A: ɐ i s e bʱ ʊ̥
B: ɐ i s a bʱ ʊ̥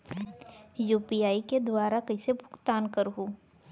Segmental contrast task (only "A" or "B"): A